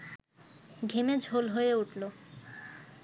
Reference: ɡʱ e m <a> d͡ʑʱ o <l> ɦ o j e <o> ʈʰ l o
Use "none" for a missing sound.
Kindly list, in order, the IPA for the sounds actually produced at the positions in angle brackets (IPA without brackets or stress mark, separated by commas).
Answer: e, l, u